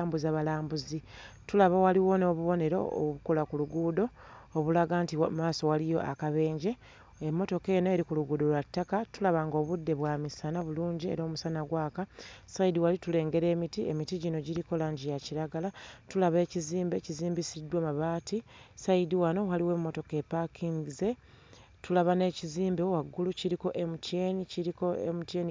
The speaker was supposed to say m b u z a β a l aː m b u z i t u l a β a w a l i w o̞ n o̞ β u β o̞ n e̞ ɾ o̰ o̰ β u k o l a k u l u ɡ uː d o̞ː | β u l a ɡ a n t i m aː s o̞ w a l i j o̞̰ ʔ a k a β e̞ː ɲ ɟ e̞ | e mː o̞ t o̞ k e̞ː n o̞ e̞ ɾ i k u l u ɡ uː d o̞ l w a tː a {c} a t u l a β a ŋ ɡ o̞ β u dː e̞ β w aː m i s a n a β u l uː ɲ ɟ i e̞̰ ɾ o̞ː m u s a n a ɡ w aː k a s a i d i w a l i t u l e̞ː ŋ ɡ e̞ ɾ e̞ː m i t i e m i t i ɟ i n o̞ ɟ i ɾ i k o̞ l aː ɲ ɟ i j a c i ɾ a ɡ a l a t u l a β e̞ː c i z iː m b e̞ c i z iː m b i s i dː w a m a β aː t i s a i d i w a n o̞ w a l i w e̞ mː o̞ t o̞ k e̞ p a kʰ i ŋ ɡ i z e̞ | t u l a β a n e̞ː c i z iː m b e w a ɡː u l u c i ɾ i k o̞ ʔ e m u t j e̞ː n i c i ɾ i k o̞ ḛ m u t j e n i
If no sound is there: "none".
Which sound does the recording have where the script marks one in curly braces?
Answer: k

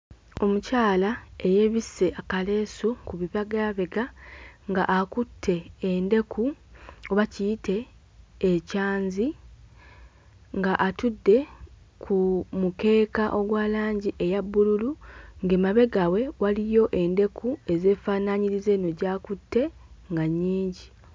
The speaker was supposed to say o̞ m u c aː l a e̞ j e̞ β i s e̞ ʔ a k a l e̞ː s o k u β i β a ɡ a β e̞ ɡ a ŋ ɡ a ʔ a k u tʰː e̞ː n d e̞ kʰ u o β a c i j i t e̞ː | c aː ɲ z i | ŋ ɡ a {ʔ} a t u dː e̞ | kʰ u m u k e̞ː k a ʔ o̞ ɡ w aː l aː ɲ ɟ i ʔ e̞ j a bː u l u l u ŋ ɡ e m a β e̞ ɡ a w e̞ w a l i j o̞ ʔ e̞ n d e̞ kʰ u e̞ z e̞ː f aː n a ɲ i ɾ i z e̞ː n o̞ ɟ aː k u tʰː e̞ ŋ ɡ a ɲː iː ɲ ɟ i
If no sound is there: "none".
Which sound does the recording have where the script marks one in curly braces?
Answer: ʔ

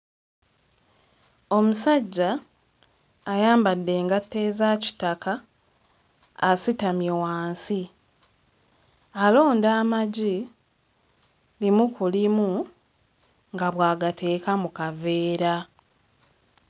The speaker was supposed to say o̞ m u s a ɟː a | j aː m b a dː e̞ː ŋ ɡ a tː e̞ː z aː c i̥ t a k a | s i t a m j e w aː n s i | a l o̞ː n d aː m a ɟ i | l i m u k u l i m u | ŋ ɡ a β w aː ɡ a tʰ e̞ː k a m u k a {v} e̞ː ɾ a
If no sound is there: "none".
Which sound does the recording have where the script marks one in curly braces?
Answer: v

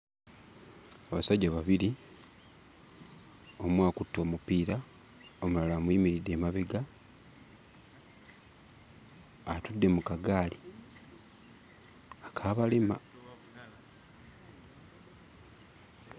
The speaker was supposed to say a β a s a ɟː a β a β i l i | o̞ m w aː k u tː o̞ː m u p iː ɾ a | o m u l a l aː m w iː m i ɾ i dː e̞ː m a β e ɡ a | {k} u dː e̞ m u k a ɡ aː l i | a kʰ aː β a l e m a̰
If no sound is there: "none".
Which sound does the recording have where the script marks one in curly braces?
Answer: t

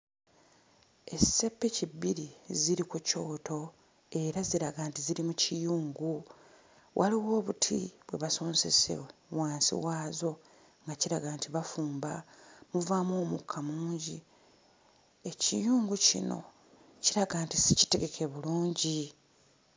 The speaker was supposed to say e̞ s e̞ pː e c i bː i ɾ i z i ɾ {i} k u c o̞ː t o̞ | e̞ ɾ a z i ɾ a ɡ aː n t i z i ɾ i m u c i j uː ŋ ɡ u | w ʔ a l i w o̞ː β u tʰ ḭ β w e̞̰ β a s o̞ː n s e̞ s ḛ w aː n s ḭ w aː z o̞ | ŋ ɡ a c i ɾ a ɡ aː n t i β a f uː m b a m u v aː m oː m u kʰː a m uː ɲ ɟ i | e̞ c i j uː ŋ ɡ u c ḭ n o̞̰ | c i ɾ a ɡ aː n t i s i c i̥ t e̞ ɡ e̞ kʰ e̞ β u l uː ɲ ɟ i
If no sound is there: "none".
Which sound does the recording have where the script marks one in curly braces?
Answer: i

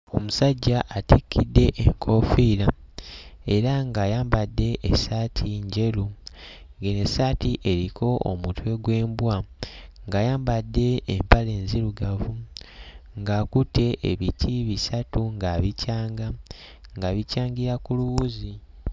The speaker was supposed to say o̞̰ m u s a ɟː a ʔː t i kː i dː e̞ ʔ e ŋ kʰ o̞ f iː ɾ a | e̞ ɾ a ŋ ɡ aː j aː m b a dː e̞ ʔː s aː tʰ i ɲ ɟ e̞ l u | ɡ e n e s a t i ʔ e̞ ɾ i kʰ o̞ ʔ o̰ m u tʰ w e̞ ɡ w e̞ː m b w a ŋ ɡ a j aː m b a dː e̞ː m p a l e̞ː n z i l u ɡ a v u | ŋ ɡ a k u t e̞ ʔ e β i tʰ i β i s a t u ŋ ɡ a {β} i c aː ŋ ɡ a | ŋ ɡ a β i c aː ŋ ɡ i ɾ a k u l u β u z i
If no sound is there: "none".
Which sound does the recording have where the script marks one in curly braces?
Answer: β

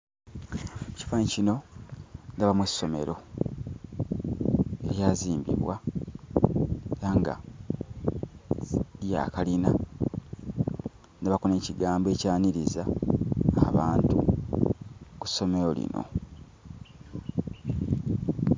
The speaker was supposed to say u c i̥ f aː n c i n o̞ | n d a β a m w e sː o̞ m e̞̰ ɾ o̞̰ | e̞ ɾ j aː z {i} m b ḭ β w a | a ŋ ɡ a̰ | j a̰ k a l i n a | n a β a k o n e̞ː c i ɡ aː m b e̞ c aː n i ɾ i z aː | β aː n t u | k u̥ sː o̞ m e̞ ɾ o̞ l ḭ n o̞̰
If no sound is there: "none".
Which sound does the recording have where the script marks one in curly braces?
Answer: iː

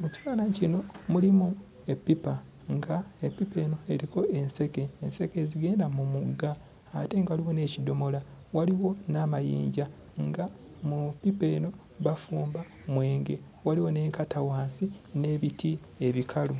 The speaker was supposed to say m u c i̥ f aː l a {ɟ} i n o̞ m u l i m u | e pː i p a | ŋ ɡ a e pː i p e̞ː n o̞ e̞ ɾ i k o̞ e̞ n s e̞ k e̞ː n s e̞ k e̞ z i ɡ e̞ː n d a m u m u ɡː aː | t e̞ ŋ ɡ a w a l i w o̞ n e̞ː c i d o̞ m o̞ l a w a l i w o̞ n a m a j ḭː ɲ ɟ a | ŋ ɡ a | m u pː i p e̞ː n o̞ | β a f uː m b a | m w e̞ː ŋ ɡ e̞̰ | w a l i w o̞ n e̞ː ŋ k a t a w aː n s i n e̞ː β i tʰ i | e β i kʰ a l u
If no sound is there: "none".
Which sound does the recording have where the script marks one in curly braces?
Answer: c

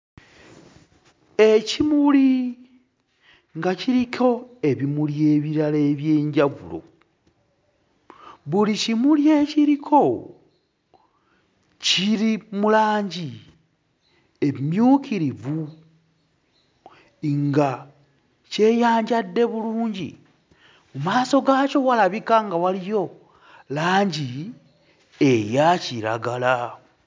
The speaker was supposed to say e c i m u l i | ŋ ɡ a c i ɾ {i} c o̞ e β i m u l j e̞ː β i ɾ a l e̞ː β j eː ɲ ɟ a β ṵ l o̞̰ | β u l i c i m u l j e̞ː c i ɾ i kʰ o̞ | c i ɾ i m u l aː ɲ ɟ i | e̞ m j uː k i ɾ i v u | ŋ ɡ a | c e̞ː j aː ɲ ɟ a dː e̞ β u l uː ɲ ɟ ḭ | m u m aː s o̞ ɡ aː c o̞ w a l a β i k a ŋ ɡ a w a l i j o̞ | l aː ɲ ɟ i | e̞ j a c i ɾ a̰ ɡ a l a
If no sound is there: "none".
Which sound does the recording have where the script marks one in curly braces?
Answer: i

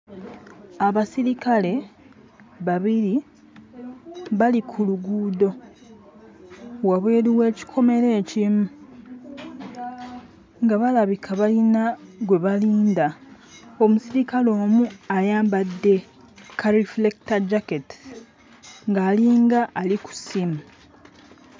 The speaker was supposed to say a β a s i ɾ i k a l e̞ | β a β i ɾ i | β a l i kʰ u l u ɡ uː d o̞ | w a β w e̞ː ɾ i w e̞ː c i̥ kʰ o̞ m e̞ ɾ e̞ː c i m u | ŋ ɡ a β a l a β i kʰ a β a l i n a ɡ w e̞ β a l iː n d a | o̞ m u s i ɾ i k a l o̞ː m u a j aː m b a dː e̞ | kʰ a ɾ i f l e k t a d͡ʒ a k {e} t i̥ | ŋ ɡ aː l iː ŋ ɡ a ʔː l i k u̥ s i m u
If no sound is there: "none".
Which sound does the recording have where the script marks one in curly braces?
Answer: e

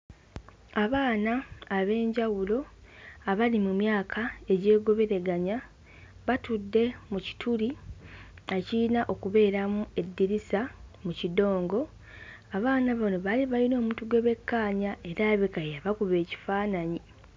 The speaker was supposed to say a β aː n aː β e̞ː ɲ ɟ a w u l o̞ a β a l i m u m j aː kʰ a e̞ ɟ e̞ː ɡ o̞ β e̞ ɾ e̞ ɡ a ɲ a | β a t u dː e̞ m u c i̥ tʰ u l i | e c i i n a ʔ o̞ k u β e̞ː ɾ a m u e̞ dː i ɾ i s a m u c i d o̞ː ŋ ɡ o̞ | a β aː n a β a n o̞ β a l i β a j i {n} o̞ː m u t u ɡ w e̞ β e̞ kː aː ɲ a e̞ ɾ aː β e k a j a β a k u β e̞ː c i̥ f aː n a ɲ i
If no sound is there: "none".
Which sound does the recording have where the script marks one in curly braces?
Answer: n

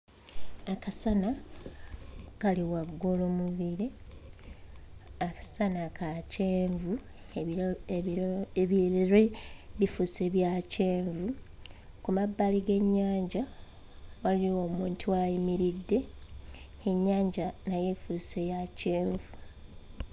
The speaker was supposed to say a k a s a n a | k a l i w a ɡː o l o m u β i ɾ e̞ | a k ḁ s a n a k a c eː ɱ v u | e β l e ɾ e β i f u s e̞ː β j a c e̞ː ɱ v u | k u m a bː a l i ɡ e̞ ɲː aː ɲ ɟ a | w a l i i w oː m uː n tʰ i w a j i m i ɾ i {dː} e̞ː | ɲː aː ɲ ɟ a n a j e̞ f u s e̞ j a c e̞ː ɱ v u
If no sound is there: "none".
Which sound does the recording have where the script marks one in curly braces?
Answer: dː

